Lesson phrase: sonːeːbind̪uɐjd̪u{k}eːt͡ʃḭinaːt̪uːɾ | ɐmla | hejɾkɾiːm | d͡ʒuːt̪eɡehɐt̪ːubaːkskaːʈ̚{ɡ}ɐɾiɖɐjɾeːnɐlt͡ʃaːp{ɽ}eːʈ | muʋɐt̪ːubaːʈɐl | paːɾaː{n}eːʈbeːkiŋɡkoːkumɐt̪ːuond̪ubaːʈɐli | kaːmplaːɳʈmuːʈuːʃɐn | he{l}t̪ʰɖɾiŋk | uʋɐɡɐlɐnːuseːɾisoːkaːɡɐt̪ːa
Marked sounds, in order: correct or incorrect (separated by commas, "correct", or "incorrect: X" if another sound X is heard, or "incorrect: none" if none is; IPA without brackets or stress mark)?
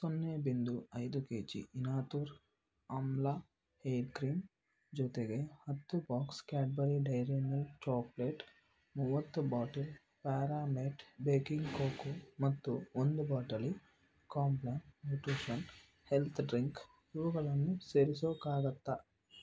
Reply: correct, incorrect: b, incorrect: l, incorrect: m, correct